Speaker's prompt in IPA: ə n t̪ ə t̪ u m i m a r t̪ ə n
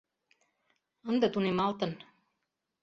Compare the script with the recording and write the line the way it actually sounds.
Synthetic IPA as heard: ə n d̪ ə t̪ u n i m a l t̪ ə n